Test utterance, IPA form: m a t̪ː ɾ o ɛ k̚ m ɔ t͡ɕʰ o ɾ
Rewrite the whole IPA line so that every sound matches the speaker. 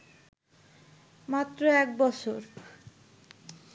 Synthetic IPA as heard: m a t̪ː ɾ o ɛ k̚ b ɔ t͡ɕʰ o ɾ